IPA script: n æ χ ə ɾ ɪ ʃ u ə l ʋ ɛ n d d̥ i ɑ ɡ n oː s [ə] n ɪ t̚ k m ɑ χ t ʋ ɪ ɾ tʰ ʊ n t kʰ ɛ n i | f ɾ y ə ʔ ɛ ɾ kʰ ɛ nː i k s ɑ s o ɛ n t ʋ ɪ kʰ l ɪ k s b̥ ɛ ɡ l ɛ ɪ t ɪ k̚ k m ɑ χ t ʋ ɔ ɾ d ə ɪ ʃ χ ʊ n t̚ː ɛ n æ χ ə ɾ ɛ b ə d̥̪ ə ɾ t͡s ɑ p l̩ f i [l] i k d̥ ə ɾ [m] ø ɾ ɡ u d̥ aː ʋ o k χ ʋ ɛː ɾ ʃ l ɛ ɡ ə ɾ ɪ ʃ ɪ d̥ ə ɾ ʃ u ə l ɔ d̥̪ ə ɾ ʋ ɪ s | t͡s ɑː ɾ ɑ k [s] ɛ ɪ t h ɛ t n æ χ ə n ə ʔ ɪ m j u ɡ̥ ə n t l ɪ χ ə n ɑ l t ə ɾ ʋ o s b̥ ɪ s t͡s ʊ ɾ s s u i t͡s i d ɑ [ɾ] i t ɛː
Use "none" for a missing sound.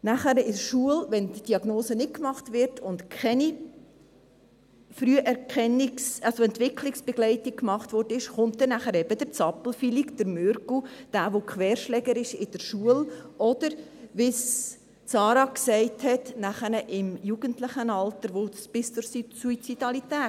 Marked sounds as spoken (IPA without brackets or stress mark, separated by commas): ə, l, m, s, l